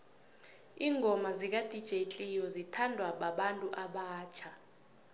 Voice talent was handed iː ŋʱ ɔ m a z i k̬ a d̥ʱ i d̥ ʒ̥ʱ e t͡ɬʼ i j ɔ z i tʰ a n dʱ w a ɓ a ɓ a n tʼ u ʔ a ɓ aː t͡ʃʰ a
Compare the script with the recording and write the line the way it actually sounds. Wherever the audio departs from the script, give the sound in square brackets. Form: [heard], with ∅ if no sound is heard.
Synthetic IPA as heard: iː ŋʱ ɔ m a z i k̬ a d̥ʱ i d̥ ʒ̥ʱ e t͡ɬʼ i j ɔ z i tʰ a n dʱ w a ɓ a ɓ a n tʼ u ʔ a ɓ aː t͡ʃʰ a